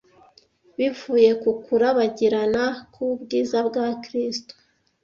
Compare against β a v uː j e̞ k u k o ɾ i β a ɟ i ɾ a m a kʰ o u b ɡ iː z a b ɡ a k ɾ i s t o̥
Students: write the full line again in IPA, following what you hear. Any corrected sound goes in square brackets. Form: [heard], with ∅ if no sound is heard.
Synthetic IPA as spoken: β [i] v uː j e̞ k u k [u] ɾ [a] β a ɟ i ɾ a [n] a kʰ [u] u b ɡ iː z a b ɡ a k ɾ i s t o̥